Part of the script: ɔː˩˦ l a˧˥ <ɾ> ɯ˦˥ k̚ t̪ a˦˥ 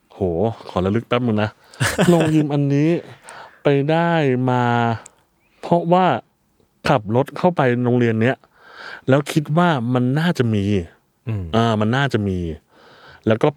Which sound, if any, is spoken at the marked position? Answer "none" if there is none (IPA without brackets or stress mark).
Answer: l